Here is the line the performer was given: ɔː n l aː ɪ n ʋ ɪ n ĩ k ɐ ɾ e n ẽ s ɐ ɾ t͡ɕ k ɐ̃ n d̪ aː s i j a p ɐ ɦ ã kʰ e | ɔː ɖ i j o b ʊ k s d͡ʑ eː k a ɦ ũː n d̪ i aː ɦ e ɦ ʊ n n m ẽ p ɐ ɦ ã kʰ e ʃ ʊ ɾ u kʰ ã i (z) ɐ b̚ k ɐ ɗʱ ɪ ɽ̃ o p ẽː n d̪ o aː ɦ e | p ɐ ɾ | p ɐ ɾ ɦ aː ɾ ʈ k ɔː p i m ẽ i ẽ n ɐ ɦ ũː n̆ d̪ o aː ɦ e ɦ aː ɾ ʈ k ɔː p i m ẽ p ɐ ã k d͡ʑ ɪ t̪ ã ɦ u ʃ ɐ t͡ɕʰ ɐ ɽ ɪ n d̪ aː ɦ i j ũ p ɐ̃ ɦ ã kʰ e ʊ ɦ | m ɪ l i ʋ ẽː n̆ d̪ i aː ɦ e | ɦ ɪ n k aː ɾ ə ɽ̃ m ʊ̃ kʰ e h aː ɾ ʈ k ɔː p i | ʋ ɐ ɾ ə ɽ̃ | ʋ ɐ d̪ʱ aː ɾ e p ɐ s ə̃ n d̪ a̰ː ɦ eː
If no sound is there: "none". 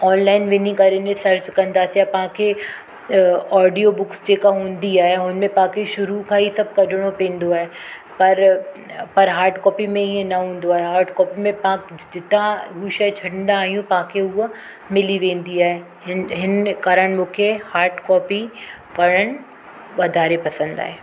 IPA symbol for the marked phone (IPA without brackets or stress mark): s